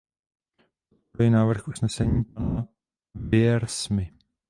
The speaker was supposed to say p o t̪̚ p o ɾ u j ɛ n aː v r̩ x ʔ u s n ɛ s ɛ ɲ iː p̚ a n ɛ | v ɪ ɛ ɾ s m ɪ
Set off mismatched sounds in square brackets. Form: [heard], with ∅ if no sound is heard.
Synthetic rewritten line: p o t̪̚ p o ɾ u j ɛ n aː v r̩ x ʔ u s n ɛ s ɛ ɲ iː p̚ a n [a] | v ɪ ɛ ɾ s m ɪ

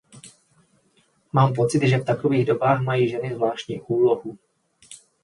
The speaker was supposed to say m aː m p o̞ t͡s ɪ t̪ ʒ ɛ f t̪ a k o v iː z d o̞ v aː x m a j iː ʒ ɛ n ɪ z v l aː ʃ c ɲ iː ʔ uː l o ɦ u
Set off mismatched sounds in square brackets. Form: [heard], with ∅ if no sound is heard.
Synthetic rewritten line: m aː m p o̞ t͡s ɪ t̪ ʒ ɛ f t̪ a k o v iː [ɣ] d o̞ [b] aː x m a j iː ʒ ɛ n ɪ z v l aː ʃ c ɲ iː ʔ uː l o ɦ u

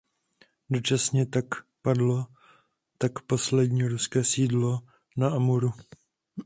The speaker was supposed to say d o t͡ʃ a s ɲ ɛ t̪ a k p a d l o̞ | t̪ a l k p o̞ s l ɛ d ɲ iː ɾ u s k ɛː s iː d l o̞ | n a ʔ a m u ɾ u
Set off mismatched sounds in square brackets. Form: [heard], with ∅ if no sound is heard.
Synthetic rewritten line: d o t͡ʃ a s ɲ ɛ t̪ a k p a d l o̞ | t̪ a [∅] k p o̞ s l ɛ d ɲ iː ɾ u s k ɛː s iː d l o̞ | n a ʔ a m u ɾ u

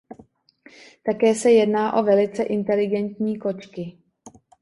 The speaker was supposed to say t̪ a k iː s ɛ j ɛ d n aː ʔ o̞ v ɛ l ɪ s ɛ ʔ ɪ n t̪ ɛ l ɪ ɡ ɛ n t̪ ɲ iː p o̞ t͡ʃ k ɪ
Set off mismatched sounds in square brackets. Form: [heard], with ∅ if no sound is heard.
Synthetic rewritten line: t̪ a k [ɛː] s ɛ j ɛ d n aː ʔ o̞ v ɛ l ɪ [t͡s] ɛ ʔ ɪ n t̪ ɛ l ɪ ɡ ɛ n t̪ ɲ iː [k] o̞ t͡ʃ k ɪ

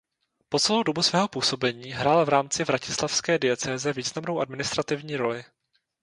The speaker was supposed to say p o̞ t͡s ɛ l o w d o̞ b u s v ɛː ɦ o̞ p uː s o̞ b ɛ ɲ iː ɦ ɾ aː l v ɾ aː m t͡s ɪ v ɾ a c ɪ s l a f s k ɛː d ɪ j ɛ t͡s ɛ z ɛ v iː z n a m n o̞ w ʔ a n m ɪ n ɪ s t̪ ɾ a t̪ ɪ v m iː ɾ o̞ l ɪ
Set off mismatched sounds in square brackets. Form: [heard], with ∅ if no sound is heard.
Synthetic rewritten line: p o̞ t͡s ɛ l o w d o̞ b u s v ɛː ɦ o̞ p uː s o̞ b ɛ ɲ iː ɦ ɾ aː l v ɾ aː m t͡s ɪ v ɾ a c ɪ s l a f s k ɛː d ɪ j ɛ t͡s [ɛː] z ɛ v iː z n a m n o̞ w ʔ a [d] m ɪ n ɪ s t̪ ɾ a t̪ ɪ v [ɲ] iː ɾ o̞ l ɪ

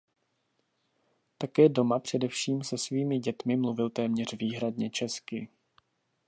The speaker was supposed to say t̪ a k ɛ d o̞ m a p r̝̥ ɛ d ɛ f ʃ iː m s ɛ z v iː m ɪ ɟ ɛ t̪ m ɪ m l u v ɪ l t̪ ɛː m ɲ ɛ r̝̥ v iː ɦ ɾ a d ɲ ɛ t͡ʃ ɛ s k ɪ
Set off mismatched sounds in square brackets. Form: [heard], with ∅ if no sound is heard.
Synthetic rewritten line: t̪ a k [ɛː] d o̞ m a p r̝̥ ɛ d ɛ f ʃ iː m s ɛ [s] v iː m ɪ ɟ ɛ t̪ m ɪ m l u v ɪ l t̪ ɛː m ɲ ɛ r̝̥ v iː ɦ ɾ a d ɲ ɛ t͡ʃ ɛ s k ɪ

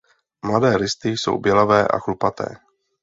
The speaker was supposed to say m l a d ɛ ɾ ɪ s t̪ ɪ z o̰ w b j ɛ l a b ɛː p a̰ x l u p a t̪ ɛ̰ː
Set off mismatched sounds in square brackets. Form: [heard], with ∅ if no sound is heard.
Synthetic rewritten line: m l a d [ɛː] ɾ ɪ s t̪ ɪ [s] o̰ w b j ɛ l a [v] ɛː [ʔ] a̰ x l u p a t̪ ɛ̰ː

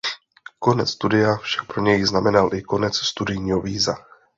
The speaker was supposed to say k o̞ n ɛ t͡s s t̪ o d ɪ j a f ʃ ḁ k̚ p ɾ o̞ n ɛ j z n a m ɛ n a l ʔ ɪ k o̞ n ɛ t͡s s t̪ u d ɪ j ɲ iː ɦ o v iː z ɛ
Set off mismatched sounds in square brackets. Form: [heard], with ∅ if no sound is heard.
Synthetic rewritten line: k o̞ n ɛ t͡s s t̪ [u] d ɪ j a f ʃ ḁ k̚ p ɾ o̞ [ɲ] ɛ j z n a m ɛ n a l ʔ ɪ k o̞ n ɛ t͡s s t̪ u d ɪ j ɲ iː ɦ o v iː z [a]

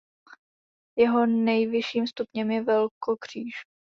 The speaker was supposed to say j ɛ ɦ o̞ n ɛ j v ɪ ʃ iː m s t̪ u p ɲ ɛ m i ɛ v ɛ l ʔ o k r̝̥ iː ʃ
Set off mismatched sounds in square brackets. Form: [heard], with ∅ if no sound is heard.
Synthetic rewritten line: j ɛ ɦ o̞ n ɛ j v ɪ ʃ iː m s t̪ u p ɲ ɛ m [j] ɛ v ɛ l [k] o k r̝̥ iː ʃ

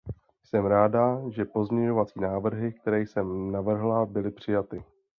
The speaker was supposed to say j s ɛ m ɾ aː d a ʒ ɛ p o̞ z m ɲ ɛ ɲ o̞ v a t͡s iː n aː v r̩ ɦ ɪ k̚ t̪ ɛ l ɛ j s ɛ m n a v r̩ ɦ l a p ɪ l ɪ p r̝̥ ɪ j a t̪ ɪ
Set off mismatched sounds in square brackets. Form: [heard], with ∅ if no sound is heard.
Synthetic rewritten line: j s ɛ m ɾ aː d a ʒ ɛ p o̞ z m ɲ ɛ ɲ o̞ v a t͡s iː n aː v r̩ ɦ ɪ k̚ t̪ ɛ [ɾ] ɛ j s ɛ m n a v r̩ ɦ l a [b] ɪ l ɪ p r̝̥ ɪ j a t̪ ɪ

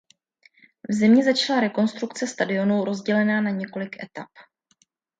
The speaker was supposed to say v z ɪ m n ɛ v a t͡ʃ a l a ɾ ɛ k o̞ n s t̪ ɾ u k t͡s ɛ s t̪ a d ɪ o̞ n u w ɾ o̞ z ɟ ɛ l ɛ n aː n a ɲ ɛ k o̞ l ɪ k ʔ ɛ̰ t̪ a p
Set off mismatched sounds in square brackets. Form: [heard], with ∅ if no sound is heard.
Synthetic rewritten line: v z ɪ m [ɲ] ɛ [z] a t͡ʃ a l a ɾ ɛ k o̞ n s t̪ ɾ u k t͡s ɛ s t̪ a d ɪ o̞ n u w ɾ o̞ z ɟ ɛ l ɛ n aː n a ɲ ɛ k o̞ l ɪ k ʔ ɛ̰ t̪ a p

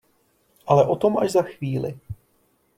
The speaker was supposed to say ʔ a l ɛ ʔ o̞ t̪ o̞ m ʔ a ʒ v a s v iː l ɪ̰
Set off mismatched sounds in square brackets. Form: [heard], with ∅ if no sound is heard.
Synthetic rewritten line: ʔ a l ɛ ʔ o̞ t̪ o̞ m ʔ a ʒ [z] a [x] v iː l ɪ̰

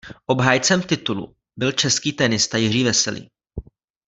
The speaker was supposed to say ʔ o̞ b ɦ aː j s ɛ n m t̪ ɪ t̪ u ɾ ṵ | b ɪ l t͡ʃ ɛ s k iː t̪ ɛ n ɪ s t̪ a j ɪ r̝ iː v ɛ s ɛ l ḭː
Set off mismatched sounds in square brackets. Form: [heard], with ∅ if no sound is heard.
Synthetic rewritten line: ʔ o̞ b ɦ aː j [t͡s] ɛ [∅] m t̪ ɪ t̪ u [l] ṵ | b ɪ l t͡ʃ ɛ s k iː t̪ ɛ n ɪ s t̪ a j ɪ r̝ iː v ɛ s ɛ l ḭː

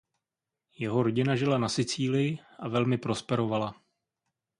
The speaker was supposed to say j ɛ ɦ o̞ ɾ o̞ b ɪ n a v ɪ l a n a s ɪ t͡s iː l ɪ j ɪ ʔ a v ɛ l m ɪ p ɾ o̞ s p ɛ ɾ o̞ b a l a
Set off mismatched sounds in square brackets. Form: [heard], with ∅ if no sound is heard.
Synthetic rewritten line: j ɛ ɦ o̞ ɾ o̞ [ɟ] ɪ n a [ʒ] ɪ l a n a s ɪ t͡s iː l ɪ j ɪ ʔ a v ɛ l m ɪ p ɾ o̞ s p ɛ ɾ o̞ [v] a l a

